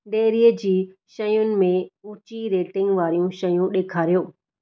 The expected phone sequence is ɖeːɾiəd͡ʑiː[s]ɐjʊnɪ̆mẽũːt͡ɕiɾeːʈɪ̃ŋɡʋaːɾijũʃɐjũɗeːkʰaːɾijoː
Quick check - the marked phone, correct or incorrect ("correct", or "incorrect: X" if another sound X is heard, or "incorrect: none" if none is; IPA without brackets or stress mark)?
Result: incorrect: ʃ